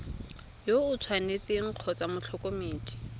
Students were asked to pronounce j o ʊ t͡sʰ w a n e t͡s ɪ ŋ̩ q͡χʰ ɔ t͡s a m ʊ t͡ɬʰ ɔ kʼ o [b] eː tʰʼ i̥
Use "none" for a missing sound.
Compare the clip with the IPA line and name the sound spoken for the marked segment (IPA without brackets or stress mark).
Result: m